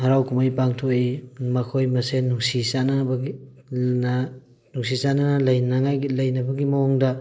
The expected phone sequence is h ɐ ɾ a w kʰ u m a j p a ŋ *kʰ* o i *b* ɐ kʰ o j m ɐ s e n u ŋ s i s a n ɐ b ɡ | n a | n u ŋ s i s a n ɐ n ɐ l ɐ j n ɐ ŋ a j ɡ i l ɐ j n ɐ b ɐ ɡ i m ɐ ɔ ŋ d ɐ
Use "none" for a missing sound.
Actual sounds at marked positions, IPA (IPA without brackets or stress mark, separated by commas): tʰ, m